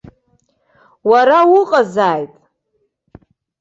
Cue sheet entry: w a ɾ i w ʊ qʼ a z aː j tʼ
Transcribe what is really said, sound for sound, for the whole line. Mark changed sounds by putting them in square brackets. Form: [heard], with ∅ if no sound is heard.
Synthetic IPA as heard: w a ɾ [a] w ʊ qʼ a z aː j tʼ

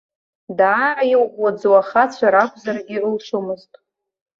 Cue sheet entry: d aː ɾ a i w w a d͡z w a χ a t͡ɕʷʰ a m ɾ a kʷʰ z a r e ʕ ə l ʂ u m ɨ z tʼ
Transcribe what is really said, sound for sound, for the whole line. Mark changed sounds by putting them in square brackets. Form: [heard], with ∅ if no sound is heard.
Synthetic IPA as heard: d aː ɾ a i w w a d͡z w a χ a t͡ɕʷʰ a [∅] ɾ a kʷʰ z a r [i] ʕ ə l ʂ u m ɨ z tʼ

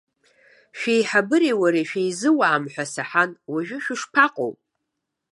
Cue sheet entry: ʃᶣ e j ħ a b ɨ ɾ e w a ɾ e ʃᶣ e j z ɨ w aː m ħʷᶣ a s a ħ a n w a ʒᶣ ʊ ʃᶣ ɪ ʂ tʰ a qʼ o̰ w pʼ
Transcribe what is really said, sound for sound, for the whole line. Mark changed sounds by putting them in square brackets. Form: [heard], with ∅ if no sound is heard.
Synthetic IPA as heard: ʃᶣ e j ħ a b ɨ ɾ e w a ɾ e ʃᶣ e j z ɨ w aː m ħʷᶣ a s a ħ a n w a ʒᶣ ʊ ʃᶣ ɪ ʂ [pʰ] a qʼ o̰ w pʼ

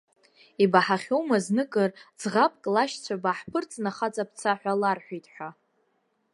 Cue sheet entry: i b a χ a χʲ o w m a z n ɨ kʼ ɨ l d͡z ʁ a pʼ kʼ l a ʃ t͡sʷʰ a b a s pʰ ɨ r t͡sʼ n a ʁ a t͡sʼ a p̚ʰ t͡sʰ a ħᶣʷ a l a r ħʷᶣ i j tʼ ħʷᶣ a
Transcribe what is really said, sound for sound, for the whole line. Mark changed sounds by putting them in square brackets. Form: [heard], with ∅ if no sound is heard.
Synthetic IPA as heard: i b a [ħ] a χʲ o w m a z n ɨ kʼ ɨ [r] d͡z ʁ a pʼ kʼ l a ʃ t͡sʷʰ a b a [ħ] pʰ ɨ r t͡sʼ n a [χ] a t͡sʼ a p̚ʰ t͡sʰ a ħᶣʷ a l a r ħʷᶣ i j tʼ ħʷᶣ a

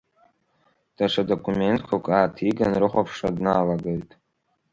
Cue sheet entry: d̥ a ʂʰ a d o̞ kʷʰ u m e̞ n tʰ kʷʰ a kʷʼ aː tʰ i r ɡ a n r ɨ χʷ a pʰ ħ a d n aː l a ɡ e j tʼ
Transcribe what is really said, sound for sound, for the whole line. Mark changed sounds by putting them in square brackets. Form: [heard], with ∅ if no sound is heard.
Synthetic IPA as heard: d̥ a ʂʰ a d o̞ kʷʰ u m e̞ n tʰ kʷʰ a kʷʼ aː tʰ i [∅] ɡ a n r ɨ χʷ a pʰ [ʂ] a d n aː l a ɡ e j tʼ

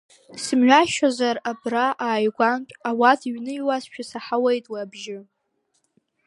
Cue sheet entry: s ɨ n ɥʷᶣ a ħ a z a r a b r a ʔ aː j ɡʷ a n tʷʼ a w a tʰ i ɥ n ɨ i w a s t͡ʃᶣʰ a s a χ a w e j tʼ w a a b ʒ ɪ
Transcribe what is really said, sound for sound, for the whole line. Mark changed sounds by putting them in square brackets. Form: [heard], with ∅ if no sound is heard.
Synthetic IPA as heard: s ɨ [m] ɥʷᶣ a [ʃ] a z a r a b r a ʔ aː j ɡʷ a n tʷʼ a w a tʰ i ɥ n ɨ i w a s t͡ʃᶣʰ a s a [ħ] a w e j tʼ w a a b ʒ ɪ

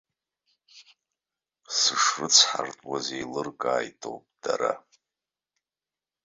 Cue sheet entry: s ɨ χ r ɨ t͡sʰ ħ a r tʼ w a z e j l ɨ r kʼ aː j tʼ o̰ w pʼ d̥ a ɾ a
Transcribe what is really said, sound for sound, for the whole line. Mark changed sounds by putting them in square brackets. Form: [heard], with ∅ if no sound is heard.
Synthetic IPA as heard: s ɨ [ʂ] r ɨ t͡sʰ ħ a r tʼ w a z e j l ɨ r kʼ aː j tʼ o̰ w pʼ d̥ a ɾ a

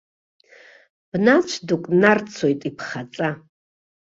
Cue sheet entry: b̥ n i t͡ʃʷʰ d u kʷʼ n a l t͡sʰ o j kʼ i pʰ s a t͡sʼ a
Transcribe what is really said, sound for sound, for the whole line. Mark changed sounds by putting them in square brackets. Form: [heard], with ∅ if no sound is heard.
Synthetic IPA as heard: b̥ n [a] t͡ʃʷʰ d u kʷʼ n a [r] t͡sʰ o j [tʼ] i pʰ [χ] a t͡sʼ a

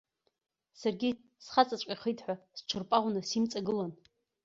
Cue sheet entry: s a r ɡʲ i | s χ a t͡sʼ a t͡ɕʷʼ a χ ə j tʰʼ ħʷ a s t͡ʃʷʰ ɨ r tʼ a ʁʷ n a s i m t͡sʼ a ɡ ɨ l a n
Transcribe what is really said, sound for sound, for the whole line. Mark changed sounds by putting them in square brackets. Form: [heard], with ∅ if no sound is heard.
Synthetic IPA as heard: s a r ɡʲ i | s χ a t͡sʼ a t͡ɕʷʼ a χ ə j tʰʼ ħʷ a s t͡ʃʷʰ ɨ r [pʼ] a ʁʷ n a s i m t͡sʼ a ɡ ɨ l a n

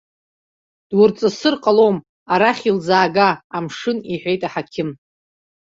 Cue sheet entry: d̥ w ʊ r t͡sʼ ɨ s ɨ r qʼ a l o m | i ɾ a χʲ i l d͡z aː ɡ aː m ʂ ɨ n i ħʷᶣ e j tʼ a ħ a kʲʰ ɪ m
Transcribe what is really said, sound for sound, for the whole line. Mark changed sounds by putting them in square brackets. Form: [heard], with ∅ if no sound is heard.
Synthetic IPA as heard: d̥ w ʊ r t͡sʼ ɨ s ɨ r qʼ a l o m | [a] ɾ a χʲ i l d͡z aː ɡ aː m ʂ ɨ n i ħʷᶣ e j tʼ a ħ a kʲʰ ɪ m

